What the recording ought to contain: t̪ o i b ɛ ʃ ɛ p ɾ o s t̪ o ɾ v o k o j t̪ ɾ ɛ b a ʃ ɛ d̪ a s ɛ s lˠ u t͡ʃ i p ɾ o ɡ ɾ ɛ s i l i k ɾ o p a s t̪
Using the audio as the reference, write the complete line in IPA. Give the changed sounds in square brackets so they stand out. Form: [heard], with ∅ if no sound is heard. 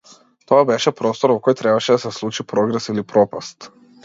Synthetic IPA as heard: t̪ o [a] b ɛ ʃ ɛ p ɾ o s t̪ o ɾ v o k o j t̪ ɾ ɛ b a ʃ ɛ d̪ a s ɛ s lˠ u t͡ʃ i p ɾ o ɡ ɾ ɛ s i l i [p] ɾ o p a s t̪